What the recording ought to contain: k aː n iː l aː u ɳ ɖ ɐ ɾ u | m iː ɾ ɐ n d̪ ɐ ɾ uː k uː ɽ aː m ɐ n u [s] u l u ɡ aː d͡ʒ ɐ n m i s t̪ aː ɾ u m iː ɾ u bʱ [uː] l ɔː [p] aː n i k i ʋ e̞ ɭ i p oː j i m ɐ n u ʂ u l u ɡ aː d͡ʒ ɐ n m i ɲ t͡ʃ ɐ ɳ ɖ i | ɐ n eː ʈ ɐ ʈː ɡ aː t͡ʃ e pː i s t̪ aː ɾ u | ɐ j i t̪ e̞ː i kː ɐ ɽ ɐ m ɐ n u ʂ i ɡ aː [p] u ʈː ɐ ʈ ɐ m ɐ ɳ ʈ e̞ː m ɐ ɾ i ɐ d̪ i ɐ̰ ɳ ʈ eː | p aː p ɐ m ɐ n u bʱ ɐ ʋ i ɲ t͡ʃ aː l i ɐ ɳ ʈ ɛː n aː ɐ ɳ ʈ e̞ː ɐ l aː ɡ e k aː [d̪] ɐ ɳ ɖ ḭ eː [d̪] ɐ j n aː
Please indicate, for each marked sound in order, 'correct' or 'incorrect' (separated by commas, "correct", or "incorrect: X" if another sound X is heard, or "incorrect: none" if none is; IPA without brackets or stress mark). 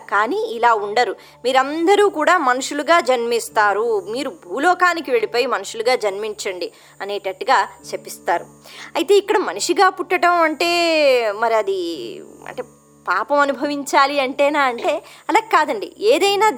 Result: incorrect: ʂ, correct, incorrect: k, correct, correct, correct